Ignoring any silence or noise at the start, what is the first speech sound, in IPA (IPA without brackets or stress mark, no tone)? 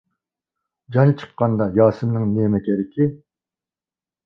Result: d͡ʒ